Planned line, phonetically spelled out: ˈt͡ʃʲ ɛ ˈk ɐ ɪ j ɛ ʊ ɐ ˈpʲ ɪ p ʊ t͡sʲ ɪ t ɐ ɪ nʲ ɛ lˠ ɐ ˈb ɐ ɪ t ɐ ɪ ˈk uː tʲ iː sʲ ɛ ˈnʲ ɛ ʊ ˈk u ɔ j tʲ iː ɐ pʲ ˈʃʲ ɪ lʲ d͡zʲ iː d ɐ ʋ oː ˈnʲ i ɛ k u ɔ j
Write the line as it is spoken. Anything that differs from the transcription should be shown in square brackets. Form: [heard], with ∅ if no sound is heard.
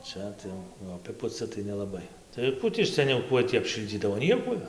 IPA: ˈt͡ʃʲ ɛ [ˈt] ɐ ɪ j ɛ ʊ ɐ ˈpʲ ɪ p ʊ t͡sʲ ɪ t ɐ ɪ nʲ ɛ lˠ ɐ ˈb ɐ ɪ t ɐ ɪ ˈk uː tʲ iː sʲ ɛ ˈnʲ ɛ ʊ ˈk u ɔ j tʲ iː ɐ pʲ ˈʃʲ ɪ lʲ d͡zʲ iː d ɐ ʋ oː ˈnʲ i ɛ k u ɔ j